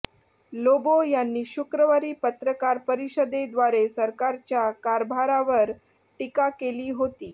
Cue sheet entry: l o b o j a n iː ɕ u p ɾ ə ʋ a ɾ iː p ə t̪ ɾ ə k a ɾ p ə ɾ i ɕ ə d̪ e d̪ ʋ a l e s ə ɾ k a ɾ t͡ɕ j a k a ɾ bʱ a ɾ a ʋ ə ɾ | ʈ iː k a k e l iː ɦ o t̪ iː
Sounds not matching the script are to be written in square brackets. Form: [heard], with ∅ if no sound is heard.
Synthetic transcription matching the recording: l o b o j a [nː] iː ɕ u [k] ɾ ə ʋ a ɾ iː p ə t̪ ɾ ə k a ɾ p ə ɾ i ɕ ə d̪ e d̪ ʋ a [ɾ] e s ə ɾ k a ɾ t͡ɕ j a k a ɾ bʱ a ɾ a ʋ ə ɾ | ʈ [i] k a k e l iː ɦ o t̪ iː